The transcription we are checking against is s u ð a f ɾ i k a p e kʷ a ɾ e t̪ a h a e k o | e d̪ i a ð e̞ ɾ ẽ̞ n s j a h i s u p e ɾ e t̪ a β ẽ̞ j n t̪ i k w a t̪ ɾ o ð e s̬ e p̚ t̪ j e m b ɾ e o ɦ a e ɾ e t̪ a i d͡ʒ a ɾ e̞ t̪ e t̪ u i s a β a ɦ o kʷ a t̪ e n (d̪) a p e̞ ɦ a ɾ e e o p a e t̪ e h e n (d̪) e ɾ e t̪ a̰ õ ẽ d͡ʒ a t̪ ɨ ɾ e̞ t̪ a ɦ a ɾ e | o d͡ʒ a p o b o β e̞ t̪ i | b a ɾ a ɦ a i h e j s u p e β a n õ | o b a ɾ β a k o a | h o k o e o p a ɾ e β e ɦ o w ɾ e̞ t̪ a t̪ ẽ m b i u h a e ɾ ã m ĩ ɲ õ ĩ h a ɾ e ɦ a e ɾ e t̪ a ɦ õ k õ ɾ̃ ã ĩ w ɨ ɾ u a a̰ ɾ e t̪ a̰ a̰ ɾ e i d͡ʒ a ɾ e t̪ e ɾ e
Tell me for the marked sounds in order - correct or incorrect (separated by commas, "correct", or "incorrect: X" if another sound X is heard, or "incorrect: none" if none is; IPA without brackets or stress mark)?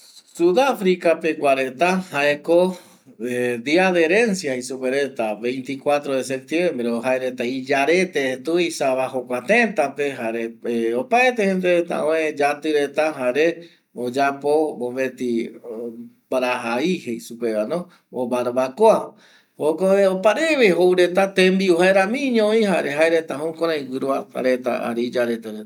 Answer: incorrect: t̪, correct